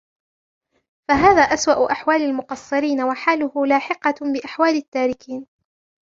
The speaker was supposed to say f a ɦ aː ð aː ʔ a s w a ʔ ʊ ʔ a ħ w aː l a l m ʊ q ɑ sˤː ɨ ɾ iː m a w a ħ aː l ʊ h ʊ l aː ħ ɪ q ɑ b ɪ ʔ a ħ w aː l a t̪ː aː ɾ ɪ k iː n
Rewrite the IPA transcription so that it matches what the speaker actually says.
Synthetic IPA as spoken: f a ɦ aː ð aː ʔ a s w a ʔ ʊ ʔ a ħ w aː l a l m ʊ q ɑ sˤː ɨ ɾ iː n a w a ħ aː l ʊ h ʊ l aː ħ ɪ q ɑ b ɪ ʔ a ħ w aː l a t̪ː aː ɾ ɪ k iː n